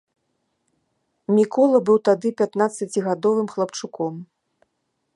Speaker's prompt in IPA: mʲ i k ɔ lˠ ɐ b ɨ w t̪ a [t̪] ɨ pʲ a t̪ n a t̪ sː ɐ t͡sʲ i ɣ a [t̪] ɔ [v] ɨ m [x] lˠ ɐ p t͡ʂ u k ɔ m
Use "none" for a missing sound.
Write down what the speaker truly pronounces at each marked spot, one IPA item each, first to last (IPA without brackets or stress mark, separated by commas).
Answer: d̪, d̪, v, x